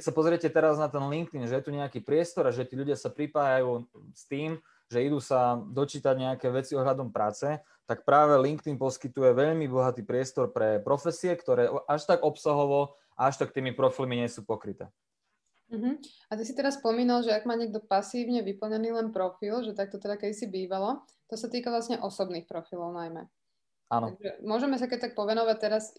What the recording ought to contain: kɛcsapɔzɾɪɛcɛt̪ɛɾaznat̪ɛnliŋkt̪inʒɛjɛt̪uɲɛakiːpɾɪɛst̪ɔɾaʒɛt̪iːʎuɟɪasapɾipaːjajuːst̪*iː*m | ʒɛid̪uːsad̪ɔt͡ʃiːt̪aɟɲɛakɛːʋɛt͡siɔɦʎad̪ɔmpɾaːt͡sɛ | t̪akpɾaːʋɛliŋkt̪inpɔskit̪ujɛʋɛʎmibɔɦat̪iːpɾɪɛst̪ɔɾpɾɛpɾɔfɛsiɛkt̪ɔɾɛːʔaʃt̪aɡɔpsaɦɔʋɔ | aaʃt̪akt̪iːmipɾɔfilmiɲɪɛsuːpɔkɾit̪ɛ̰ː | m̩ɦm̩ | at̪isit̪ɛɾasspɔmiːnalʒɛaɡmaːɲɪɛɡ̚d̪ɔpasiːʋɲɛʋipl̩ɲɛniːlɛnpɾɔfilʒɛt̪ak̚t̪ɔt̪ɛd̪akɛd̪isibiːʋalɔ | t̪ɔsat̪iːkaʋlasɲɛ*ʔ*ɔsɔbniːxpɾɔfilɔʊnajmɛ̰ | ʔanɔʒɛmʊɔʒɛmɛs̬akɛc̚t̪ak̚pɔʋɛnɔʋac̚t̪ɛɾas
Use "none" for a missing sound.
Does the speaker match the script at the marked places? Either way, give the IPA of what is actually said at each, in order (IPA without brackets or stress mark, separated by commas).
iː, ʔ